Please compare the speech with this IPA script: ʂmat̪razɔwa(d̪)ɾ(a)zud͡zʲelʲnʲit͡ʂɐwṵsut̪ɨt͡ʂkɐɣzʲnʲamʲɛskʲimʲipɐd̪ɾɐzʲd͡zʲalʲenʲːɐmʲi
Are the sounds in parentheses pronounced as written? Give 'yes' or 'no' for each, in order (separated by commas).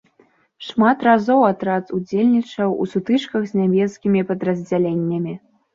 no, yes